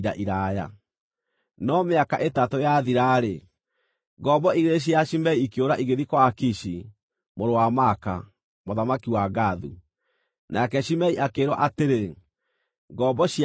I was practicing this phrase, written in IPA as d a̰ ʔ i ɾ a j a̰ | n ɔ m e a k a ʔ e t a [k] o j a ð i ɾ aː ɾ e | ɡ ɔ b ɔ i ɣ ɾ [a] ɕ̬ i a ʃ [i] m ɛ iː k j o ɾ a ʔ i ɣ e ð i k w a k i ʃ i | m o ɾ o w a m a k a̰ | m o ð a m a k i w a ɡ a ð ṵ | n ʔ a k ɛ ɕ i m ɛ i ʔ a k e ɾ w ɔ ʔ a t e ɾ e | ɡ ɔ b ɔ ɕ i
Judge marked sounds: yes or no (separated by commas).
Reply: no, no, yes